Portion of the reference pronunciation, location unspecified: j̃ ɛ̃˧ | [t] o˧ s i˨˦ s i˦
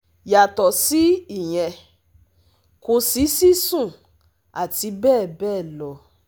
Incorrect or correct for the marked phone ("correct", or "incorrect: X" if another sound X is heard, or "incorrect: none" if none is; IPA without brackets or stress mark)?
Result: incorrect: k